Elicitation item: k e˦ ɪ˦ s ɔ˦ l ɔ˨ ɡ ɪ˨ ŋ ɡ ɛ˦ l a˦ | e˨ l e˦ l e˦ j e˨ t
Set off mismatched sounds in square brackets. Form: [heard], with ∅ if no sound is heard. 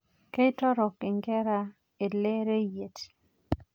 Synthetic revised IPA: k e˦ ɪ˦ [t] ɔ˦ [ɾ] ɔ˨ [k] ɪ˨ ŋ ɡ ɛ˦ [ɾ] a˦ | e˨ l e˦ [ɾ] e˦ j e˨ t

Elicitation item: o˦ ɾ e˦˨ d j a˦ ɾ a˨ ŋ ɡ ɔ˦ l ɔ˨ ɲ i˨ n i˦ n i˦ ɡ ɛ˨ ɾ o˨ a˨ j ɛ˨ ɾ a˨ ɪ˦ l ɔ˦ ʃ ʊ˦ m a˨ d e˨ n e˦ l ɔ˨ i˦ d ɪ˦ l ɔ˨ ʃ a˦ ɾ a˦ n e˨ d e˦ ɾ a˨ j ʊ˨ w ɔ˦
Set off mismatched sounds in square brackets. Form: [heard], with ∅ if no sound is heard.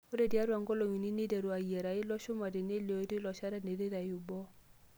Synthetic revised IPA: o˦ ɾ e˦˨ d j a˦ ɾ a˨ ŋ ɡ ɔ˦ l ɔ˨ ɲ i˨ n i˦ n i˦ [d] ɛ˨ ɾ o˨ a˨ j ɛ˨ ɾ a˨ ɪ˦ l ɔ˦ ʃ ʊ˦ m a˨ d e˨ n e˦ l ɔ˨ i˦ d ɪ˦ l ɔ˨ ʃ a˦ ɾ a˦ n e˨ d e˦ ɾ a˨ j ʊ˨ [b] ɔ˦

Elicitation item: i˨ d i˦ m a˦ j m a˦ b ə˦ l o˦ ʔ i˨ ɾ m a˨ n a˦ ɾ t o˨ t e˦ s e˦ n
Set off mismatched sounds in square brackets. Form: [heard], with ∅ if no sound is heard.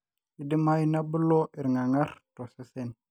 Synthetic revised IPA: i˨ d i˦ m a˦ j [n] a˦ b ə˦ l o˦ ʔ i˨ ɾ [ŋ] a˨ [ŋ] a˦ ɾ t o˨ [s] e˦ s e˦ n

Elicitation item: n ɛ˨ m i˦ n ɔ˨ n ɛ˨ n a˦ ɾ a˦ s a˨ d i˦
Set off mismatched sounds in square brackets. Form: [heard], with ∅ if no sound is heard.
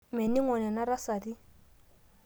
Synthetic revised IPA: [m] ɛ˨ [n] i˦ [ŋ] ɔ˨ n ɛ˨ n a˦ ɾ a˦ s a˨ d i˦

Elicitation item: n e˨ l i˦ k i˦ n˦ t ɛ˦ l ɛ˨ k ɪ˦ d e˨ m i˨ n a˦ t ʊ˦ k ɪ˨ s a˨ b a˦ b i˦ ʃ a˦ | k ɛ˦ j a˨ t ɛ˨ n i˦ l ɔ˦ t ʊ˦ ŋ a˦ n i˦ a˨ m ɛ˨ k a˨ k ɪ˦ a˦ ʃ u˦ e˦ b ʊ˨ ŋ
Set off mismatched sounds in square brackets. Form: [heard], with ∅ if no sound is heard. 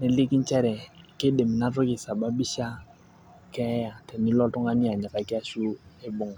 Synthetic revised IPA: n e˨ l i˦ k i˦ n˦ [t͡ʃ] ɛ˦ [ɾ] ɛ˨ k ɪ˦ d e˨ m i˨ n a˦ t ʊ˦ k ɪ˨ s a˨ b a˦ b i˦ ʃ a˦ | k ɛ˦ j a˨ t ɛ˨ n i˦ l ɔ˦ t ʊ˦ ŋ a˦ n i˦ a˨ [ɲ] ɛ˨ k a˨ k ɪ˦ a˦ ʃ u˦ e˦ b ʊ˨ ŋ

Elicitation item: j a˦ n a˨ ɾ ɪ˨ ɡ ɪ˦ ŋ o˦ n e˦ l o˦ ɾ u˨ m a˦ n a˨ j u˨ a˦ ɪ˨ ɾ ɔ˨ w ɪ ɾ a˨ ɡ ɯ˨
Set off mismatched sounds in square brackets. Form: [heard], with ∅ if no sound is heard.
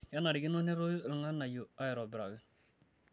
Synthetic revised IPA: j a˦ n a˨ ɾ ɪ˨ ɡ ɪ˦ [n] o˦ n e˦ [ɾ] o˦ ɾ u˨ [ŋ] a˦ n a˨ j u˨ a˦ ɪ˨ ɾ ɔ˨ [b] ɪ ɾ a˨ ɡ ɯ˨

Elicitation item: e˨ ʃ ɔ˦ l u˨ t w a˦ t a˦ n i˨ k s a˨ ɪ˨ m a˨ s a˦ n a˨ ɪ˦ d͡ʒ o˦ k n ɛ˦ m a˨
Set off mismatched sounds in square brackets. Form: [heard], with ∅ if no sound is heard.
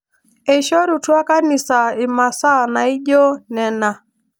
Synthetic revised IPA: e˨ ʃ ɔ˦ [ɾ] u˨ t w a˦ [k] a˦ n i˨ [∅] s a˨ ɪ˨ m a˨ s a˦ n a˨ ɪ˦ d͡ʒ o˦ [∅] n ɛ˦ [n] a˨

